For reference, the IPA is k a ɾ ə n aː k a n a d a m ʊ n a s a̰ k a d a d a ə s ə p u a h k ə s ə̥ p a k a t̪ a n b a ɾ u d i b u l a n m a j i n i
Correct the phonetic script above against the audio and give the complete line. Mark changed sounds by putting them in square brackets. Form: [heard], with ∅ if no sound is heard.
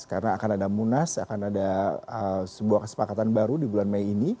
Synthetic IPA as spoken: k a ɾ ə n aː k a n a d a m [u] n a s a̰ k a [n] a d a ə s ə [b] u a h k ə s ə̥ p a k a t̪ a n b a ɾ u d i b u l a n m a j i n i

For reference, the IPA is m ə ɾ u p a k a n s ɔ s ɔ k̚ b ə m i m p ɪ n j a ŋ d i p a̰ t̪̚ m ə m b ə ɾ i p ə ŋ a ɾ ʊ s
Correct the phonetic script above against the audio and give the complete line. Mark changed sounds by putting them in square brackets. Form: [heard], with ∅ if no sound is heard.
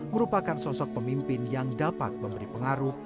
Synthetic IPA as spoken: m ə ɾ u p a k a n s ɔ s ɔ k̚ [p] ə m i m p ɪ n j a ŋ d [a] p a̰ t̪̚ m ə m b ə ɾ i p ə ŋ a ɾ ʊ [h]

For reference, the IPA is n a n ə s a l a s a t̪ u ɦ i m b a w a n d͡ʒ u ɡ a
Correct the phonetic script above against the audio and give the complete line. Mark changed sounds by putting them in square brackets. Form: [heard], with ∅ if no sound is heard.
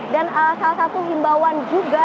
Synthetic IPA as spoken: [d] a n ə s a l a s a t̪ u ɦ i m b a w a n d͡ʒ u ɡ a

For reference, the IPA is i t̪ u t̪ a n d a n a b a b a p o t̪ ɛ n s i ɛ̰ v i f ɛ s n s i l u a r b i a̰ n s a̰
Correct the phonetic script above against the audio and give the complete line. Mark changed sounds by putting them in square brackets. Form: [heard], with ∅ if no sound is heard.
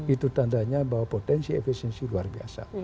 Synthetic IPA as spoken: i t̪ u t̪ a n d a [ɲ] a b a [w] a p o t̪ ɛ n s i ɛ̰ [f] i [s] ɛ [∅] n s i l u a r b i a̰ [∅] s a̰

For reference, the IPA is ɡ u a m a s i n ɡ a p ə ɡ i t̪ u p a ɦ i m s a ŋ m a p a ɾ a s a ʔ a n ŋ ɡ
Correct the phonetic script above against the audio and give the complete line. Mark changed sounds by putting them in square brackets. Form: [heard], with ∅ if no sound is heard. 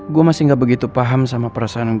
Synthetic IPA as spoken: ɡ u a m a s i [ŋ] ɡ a [b] ə ɡ i t̪ u p a ɦ [a] m s a [∅] m a p [ə] ɾ a s a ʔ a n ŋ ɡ

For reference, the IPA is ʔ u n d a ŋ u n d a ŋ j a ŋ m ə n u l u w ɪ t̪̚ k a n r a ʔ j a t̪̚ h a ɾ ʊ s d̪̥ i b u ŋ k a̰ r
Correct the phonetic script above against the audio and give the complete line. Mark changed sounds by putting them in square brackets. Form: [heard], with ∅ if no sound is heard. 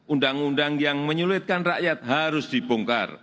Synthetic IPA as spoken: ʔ u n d a ŋ u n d a ŋ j a ŋ m ə [ɲ] u l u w ɪ t̪̚ k a n r a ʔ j a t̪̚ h a ɾ ʊ s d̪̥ i b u ŋ k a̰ r

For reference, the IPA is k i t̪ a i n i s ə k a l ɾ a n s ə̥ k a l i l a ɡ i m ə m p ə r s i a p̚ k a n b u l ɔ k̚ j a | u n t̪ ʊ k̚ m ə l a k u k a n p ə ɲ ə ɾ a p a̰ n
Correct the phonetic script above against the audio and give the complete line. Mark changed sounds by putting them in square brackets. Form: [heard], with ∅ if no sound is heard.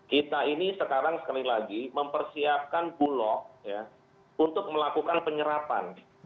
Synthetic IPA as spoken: k i t̪ a i n i s ə k a [∅] ɾ a [ŋ] s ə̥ k a l i l a ɡ i m ə m p ə r s i a p̚ k a n b u l ɔ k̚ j a | u n t̪ ʊ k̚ m ə l a k u k a n p ə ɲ ə ɾ a p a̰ n

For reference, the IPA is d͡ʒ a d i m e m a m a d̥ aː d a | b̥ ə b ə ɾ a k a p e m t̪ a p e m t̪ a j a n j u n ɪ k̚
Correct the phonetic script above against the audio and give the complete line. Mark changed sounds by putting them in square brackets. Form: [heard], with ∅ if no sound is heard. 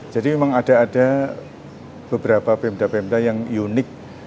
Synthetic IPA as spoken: d͡ʒ a d i m e m a [ŋ] a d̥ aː d a | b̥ ə b ə ɾ a [p] a p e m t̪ a p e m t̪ a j a [ŋ] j u n ɪ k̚

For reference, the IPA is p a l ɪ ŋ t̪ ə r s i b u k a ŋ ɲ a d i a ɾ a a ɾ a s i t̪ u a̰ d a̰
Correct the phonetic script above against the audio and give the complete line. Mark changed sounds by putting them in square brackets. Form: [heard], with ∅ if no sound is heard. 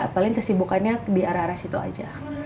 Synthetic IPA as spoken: p a l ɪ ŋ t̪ ə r s i b u k a [n] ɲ a d i a ɾ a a ɾ a s i t̪ u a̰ [d͡ʒ] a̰

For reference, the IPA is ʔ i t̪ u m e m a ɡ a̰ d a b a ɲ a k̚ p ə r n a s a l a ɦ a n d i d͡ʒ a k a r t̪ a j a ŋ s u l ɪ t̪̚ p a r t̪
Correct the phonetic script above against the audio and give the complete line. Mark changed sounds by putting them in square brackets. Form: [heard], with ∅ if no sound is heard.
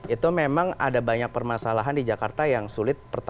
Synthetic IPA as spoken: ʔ i t̪ u m e m a [ŋ] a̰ d a b a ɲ a k̚ p ə r [m] a s a l a ɦ a n d i d͡ʒ a k a r t̪ a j a ŋ s u l ɪ t̪̚ p [ə] r t̪

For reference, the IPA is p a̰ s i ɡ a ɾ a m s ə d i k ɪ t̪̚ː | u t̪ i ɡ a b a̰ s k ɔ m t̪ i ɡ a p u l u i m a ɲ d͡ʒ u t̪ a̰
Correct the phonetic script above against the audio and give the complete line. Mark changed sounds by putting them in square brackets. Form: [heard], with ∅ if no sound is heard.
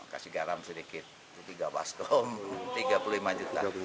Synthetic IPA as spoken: [k] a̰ s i ɡ a ɾ a m s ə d i k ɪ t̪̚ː | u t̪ i ɡ a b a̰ s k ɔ m t̪ i ɡ a p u l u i m a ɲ d͡ʒ u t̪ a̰

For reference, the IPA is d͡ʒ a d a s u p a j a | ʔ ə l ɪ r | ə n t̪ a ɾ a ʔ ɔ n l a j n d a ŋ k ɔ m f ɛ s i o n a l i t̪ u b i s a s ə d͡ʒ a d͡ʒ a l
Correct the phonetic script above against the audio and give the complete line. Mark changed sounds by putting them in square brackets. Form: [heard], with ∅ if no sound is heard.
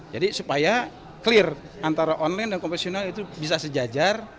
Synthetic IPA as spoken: d͡ʒ a d [i] s u p a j a | [k] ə l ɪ r | [a] n t̪ a ɾ a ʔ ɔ n l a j n d a [n] k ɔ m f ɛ s i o n a l i t̪ u b i s a s ə d͡ʒ a d͡ʒ a [r]

